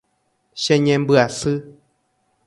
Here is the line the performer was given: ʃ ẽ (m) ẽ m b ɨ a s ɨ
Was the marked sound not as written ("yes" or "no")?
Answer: yes